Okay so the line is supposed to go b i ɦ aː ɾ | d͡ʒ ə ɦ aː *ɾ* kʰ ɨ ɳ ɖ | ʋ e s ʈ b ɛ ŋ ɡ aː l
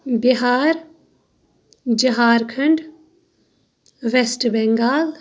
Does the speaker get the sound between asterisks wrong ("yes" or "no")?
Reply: no